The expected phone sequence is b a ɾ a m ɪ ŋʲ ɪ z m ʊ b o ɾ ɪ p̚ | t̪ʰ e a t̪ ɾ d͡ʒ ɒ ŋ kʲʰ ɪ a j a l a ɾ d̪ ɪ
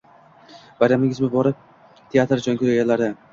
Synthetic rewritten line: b a ɾ a m ɪ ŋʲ ɪ z m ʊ b ɒ ɾ ɪ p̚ | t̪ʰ e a t̪ ɾ d͡ʒ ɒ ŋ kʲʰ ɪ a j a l a ɾ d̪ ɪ